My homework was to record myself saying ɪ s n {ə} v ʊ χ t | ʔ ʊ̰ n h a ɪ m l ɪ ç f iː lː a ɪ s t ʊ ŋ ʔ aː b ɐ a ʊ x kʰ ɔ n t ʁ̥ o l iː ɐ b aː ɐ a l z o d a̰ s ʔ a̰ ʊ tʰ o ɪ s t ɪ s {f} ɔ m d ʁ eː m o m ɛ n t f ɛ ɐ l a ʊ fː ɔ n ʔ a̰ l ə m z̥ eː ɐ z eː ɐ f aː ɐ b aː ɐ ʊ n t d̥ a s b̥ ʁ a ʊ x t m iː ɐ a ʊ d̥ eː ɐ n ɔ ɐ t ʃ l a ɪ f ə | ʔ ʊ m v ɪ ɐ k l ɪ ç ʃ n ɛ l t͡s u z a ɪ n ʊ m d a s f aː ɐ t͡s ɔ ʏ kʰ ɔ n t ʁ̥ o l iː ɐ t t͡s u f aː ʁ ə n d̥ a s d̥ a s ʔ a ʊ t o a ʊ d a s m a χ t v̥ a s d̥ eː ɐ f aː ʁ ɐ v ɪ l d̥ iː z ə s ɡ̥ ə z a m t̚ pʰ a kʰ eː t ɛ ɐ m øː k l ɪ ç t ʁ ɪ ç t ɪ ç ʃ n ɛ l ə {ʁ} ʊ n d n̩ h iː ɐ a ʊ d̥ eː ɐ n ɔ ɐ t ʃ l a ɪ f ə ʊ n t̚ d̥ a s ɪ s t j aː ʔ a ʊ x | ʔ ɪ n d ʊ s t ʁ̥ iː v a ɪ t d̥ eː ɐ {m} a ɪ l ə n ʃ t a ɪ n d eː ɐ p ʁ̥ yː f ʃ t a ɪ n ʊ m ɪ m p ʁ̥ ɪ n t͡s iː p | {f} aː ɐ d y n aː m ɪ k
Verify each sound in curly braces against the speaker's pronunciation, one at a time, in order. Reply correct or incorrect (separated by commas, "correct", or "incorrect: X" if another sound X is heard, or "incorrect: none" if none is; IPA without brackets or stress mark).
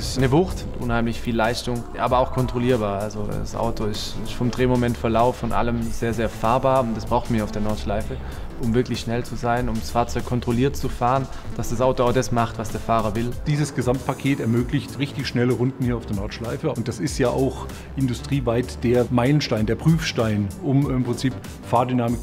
correct, correct, correct, correct, correct